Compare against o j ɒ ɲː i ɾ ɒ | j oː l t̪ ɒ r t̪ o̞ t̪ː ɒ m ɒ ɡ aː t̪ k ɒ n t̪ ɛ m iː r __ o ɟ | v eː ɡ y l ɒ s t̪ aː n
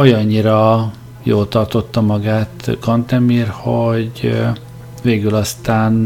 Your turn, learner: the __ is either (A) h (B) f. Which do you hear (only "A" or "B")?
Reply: A